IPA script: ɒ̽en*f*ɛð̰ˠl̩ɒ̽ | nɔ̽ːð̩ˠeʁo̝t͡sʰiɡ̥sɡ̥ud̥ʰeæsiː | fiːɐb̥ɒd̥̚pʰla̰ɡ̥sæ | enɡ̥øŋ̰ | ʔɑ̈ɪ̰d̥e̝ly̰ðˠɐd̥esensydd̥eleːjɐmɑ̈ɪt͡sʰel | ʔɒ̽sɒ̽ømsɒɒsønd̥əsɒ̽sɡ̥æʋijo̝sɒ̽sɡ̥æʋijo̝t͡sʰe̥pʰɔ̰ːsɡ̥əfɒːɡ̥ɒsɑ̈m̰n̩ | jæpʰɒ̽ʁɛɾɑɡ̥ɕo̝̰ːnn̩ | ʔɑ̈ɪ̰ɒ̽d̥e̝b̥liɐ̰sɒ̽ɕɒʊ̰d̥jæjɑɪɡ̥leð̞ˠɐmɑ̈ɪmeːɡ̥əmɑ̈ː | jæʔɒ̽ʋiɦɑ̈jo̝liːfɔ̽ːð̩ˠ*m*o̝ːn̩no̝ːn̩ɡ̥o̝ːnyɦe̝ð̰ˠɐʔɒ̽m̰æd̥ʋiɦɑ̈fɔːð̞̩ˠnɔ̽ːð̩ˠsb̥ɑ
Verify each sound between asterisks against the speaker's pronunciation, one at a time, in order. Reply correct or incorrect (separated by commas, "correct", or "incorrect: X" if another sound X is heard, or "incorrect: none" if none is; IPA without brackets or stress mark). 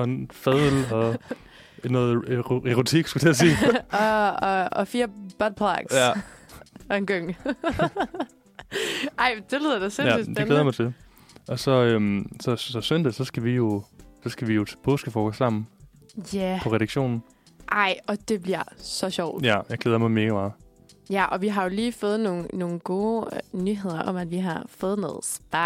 correct, incorrect: n